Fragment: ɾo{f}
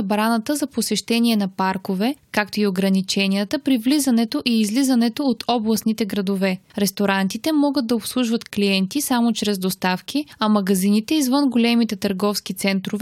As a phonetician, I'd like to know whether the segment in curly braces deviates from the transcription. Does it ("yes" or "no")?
yes